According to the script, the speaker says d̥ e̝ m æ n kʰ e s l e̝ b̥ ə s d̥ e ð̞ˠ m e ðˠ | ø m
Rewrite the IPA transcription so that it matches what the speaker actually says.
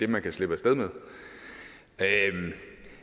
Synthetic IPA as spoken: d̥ e̝ m æ n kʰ æ s l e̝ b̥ ə s d̥ e ð̞ˠ m e ðˠ | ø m